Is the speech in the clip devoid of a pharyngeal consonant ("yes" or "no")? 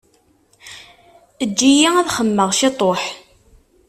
no